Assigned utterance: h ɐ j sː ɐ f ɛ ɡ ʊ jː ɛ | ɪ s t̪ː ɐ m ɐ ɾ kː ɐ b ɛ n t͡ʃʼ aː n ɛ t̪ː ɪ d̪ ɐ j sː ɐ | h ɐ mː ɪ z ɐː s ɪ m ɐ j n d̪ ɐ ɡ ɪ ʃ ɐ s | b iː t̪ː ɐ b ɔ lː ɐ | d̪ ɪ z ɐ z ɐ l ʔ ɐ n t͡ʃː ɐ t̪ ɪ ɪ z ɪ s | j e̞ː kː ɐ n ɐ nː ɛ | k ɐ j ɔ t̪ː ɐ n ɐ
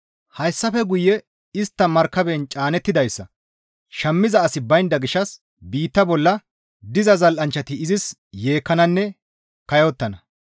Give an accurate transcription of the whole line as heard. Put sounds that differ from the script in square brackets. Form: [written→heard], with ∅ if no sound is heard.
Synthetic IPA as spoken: h ɐ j sː ɐ f ɛ ɡ ʊ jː ɛ | ɪ s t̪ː ɐ m ɐ ɾ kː ɐ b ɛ n t͡ʃʼ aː n ɛ t̪ː ɪ d̪ ɐ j sː ɐ | [h→ʃ] ɐ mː ɪ z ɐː s ɪ [m→b] ɐ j n d̪ ɐ ɡ ɪ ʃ ɐ s | b iː t̪ː ɐ b ɔ lː ɐ | d̪ ɪ z ɐ z ɐ l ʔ ɐ n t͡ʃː ɐ t̪ ɪ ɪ z ɪ s | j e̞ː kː ɐ n ɐ nː ɛ | k ɐ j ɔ t̪ː ɐ n ɐ